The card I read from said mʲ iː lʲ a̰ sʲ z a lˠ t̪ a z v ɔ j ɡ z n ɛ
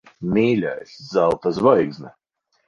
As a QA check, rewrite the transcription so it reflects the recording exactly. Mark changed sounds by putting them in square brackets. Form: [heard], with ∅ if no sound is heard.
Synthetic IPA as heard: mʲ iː lʲ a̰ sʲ z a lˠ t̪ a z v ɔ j ɡ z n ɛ